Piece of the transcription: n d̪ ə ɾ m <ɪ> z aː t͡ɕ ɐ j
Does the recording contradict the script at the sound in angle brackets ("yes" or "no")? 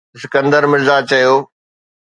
no